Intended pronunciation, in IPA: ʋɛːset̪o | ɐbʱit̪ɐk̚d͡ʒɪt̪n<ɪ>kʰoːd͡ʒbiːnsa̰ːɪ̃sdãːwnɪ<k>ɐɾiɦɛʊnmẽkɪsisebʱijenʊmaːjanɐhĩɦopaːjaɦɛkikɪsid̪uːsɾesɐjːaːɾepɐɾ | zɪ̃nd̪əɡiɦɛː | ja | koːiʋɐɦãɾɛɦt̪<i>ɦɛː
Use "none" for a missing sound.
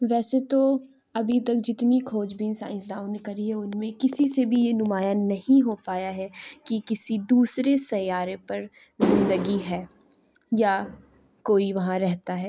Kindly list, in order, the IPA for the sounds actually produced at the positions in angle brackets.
i, k, a

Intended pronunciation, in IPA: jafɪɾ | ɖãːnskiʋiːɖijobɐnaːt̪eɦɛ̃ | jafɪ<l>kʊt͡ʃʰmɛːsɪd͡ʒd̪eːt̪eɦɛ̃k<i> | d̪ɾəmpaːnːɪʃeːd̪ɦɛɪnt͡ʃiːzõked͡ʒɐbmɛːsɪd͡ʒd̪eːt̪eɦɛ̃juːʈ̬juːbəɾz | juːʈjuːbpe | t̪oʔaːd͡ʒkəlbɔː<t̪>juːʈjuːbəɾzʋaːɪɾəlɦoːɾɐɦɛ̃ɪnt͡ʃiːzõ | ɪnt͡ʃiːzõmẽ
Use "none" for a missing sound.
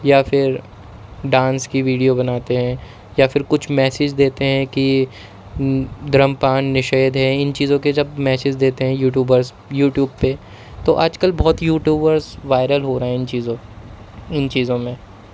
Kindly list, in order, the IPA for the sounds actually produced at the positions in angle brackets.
ɾ, i, t̪

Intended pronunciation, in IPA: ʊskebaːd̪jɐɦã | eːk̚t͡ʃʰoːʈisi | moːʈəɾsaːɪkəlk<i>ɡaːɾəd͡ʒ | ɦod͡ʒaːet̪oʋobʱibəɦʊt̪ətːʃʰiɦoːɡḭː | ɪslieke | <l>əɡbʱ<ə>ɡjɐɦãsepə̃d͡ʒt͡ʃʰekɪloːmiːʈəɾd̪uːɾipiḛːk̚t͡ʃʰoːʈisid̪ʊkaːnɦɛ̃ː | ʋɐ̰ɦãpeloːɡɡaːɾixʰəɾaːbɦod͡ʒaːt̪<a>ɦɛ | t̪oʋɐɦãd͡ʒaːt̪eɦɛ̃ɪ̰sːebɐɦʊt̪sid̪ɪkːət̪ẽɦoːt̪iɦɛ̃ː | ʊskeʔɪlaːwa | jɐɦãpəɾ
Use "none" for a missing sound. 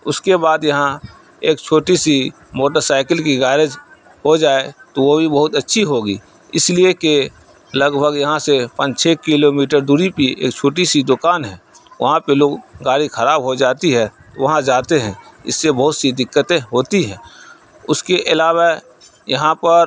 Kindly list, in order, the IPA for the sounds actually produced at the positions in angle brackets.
i, l, ə, i

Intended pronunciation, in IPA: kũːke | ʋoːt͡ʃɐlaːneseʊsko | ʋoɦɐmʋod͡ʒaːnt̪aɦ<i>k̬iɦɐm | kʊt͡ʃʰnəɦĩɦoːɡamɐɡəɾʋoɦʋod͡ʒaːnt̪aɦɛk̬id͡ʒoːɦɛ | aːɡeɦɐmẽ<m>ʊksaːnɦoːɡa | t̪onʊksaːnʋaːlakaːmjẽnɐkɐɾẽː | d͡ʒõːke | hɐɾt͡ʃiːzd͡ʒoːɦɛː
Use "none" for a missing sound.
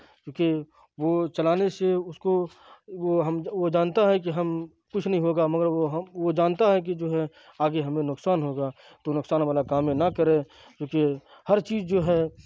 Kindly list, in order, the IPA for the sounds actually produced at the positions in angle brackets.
ɛ, n

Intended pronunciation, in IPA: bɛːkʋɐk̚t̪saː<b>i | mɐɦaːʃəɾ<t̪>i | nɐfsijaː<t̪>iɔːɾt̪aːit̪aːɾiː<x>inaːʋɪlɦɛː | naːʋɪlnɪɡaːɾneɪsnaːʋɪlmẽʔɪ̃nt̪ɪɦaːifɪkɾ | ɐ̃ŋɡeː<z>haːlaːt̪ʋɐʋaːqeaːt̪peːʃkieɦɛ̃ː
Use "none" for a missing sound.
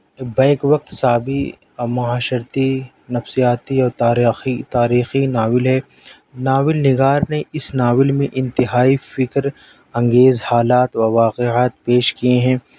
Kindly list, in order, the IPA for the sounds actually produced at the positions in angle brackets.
b, t̪, t̪, x, z

